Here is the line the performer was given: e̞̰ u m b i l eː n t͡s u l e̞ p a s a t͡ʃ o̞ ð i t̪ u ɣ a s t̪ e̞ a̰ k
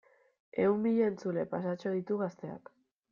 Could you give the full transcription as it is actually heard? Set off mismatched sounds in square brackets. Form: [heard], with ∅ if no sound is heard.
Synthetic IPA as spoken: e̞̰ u m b i [ʎ] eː n t͡s u l e̞ p a s a t͡ʃ o̞ ð i t̪ u ɣ a s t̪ e̞ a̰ k